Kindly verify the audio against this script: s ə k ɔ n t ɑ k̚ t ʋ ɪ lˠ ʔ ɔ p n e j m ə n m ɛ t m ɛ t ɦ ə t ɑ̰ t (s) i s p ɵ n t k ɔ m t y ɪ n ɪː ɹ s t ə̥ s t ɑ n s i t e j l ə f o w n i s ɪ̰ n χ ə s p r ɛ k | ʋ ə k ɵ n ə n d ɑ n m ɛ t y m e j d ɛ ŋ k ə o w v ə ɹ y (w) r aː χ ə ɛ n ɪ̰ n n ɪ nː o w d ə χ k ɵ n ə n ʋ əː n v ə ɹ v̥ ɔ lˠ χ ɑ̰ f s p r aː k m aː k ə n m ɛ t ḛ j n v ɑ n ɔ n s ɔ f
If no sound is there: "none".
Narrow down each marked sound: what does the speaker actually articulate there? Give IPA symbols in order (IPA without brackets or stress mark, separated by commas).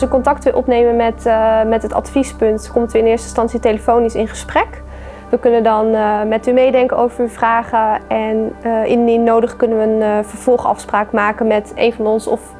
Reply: f, v